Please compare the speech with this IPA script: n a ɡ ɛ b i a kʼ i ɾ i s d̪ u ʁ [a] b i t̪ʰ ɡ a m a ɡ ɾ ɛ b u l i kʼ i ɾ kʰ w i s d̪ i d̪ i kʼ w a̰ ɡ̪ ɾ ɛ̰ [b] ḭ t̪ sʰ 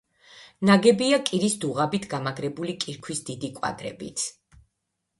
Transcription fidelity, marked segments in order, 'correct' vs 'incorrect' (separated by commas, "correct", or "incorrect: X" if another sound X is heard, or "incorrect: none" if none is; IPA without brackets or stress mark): correct, correct